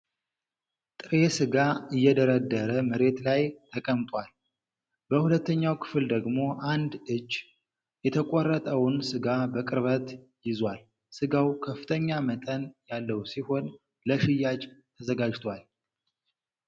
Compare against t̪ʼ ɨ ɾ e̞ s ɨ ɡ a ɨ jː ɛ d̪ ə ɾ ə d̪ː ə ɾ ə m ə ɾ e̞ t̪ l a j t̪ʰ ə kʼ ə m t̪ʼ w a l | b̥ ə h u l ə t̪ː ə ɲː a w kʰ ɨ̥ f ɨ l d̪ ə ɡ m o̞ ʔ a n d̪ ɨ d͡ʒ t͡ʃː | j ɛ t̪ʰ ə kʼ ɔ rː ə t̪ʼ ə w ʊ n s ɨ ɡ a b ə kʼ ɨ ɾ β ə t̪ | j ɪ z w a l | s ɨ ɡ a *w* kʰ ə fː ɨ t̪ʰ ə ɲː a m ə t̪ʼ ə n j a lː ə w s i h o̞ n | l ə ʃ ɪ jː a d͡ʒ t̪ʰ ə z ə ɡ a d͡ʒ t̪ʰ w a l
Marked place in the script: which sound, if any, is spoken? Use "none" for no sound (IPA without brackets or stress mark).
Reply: w